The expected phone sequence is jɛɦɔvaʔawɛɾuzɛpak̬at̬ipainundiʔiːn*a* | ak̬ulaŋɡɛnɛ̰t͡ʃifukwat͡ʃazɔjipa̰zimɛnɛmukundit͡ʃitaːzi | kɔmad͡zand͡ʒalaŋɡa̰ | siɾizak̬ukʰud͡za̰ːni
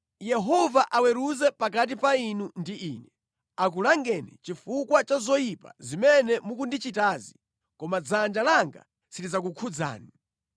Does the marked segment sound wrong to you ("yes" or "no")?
yes